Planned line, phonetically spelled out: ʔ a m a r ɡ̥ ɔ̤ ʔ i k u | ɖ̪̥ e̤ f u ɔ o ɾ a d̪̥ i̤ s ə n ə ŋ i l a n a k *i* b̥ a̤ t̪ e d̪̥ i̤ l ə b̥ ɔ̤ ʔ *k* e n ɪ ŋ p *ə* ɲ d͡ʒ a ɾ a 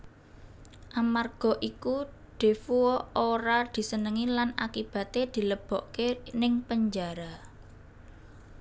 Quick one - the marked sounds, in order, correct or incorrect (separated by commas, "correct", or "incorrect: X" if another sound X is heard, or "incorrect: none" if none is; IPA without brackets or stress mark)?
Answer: correct, correct, correct